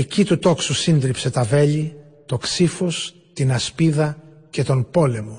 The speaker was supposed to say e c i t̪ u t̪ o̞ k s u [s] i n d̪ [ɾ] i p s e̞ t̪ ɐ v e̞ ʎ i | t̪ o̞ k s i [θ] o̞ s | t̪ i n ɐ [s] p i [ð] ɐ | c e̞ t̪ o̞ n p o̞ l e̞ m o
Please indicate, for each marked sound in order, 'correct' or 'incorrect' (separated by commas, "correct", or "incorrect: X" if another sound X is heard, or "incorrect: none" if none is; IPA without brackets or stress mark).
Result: correct, correct, incorrect: f, correct, correct